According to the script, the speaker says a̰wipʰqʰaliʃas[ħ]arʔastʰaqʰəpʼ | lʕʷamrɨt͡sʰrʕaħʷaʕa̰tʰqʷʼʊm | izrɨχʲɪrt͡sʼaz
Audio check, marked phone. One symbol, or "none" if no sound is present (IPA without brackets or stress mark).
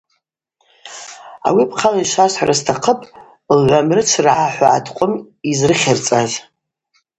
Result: ħ